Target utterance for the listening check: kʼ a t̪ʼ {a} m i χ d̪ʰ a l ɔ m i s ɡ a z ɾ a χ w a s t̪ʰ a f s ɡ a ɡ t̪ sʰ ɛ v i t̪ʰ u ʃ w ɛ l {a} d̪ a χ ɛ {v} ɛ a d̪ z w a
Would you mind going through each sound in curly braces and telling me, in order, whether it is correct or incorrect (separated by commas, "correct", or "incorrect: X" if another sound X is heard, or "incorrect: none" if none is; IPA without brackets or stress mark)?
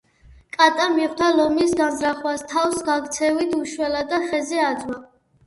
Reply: correct, correct, incorrect: z